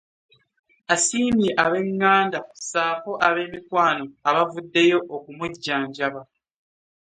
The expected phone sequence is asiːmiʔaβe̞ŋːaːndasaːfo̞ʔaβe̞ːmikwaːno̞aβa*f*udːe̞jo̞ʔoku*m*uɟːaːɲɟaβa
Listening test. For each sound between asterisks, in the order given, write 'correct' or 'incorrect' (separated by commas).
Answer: incorrect, correct